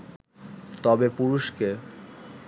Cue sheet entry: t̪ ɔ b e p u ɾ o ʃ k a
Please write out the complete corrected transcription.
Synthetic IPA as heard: t̪ ɔ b e p u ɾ u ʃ k e